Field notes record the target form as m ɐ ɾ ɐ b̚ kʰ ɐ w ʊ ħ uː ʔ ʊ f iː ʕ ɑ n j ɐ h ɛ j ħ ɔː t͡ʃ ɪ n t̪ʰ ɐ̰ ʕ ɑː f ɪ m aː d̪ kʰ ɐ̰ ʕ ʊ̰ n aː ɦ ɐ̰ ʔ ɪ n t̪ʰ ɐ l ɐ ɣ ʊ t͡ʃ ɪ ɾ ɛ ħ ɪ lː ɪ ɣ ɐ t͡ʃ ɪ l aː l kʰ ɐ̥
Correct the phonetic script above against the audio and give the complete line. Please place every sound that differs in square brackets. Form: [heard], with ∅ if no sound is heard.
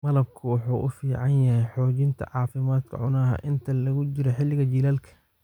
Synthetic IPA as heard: m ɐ [l] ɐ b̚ kʰ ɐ w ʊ ħ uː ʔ ʊ f iː ʕ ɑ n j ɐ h ɛ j ħ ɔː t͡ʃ ɪ n t̪ʰ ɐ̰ ʕ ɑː f ɪ m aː d̪ kʰ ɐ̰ ʕ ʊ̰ n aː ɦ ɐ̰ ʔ ɪ n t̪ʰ ɐ l ɐ ɣ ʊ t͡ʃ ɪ ɾ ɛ ħ ɪ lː ɪ ɣ ɐ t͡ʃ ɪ l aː l kʰ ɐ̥